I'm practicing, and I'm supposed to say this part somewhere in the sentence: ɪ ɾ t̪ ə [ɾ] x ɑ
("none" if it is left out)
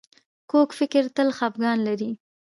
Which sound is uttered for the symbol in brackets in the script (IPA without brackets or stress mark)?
l